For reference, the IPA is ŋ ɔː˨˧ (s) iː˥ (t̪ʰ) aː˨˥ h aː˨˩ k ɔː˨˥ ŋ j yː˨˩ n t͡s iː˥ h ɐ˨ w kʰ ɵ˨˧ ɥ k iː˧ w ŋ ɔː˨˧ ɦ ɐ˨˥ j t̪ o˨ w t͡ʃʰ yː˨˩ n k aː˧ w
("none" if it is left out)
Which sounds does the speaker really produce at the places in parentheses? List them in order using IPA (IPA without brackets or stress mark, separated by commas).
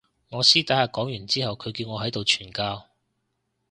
s, t̪